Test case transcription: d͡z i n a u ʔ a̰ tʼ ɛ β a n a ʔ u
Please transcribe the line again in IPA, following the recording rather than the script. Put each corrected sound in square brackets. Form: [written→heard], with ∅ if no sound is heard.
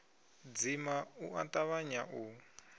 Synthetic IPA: d͡z i [n→m] a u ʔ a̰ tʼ [ɛ→a] β a [n→ɲ] a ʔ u